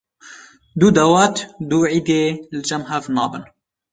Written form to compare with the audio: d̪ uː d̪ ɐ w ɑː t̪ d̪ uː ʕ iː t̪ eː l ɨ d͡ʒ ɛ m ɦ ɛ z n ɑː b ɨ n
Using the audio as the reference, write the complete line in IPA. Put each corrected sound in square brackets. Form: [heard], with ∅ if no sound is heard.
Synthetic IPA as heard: d̪ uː d̪ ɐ w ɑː t̪ d̪ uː ʕ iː [d̪] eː l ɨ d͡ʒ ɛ m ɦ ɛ [v] n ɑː b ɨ n